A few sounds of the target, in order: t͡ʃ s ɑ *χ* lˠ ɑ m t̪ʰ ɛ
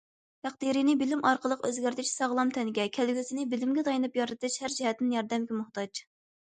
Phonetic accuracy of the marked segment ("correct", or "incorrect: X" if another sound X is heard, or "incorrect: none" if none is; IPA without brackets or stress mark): incorrect: ʁ